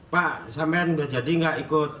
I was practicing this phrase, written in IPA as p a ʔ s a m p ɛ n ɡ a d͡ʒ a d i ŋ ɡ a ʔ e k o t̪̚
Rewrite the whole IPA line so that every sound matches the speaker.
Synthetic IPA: p a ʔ s a m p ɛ n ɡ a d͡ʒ a d i ŋ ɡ a ʔ i k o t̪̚